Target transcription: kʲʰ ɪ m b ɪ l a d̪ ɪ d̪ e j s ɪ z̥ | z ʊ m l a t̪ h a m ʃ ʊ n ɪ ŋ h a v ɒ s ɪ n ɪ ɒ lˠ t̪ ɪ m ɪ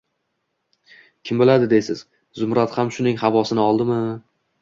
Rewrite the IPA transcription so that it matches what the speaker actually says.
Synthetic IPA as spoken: kʲʰ ɪ m b ɪ l a d̪ ɪ d̪ e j s ɪ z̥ | z ʊ m ɾ a t̪ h a m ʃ ʊ n ɪ ŋ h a v ɒ s ɪ n ɪ ɒ lˠ d̪ ɪ m ɪ